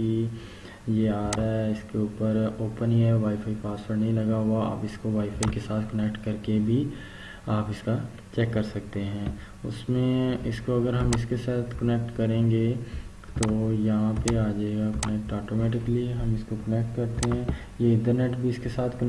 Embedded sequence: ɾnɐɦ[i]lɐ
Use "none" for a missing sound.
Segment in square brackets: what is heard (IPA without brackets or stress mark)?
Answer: ĩ